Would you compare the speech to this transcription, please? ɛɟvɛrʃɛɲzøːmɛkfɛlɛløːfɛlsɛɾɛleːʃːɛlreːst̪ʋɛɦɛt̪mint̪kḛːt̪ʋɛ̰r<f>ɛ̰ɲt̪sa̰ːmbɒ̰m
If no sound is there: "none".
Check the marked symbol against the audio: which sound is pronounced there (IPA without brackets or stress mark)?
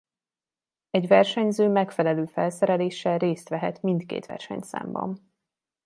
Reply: ʃ